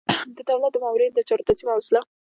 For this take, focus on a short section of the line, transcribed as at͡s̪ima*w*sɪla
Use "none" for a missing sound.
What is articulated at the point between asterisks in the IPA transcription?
w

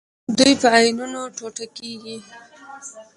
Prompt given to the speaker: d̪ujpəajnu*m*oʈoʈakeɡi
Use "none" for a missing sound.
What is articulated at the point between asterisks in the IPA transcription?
n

